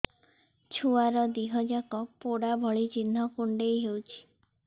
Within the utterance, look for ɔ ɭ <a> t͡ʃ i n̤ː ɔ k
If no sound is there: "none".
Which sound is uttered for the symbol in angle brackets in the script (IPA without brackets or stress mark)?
i